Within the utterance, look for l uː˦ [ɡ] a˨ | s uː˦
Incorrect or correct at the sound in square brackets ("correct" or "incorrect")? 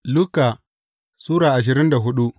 incorrect